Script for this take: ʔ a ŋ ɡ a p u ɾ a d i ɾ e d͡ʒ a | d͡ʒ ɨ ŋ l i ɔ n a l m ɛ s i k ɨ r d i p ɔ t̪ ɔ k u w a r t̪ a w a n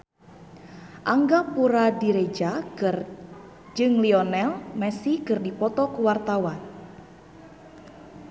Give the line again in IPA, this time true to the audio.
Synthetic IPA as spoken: ʔ a ŋ ɡ a p u ɾ a d i ɾ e d͡ʒ a | d͡ʒ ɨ ŋ l i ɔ n ɛ l m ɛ s i k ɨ r d i p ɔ t̪ ɔ k u w a r t̪ a w a n